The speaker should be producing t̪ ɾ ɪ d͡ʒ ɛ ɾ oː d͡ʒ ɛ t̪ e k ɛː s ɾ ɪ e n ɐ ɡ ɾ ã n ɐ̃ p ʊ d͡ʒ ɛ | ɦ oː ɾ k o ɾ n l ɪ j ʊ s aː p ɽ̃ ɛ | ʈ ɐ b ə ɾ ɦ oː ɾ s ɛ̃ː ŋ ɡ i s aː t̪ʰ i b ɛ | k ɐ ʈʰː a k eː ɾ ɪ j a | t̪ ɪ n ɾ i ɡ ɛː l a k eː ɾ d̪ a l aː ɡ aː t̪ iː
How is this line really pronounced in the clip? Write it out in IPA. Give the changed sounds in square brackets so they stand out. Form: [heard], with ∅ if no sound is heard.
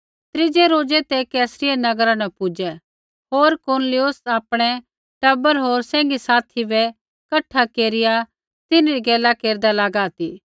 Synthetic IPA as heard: t̪ ɾ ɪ d͡ʒ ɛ ɾ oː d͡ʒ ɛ t̪ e k ɛː s ɾ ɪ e n ɐ ɡ ɾ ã n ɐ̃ p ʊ d͡ʒ ɛ | ɦ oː ɾ k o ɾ n l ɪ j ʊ s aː p ɽ̃ ɛ | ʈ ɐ b ə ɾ ɦ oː ɾ s ɛ̃ː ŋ ɡ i s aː t̪ʰ i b ɛ | k ɐ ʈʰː a k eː ɾ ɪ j a | t̪ ɪ n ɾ i ɡ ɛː l a k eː ɾ d̪ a l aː ɡ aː t̪ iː